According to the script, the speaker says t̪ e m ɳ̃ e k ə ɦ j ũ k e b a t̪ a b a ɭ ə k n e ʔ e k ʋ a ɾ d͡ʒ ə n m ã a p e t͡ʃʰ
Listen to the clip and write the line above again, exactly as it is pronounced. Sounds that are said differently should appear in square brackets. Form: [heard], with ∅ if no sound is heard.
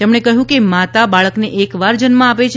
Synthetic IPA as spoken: t̪ e m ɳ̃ e k ə ɦ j ũ k e [m] a t̪ a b a ɭ ə k n e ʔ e k ʋ a ɾ d͡ʒ ə n m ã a p e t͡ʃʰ

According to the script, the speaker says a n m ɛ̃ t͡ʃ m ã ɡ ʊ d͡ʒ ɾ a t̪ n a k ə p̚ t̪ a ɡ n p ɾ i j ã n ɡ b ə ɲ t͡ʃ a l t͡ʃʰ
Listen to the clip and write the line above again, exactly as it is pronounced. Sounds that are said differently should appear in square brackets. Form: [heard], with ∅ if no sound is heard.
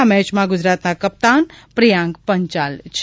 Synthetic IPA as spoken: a [∅] m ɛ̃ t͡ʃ m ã ɡ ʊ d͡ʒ ɾ a t̪ n a k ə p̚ t̪ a [∅] n p ɾ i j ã [ŋ] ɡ [p] ə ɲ t͡ʃ a l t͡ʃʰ

